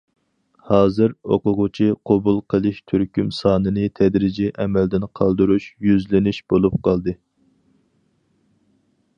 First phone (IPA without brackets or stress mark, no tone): h